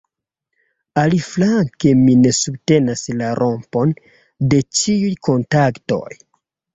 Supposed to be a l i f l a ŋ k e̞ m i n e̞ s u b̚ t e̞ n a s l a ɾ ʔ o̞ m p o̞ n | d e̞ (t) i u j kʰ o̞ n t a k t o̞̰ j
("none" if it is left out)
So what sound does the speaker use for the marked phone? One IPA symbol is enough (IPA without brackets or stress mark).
t͡ʃ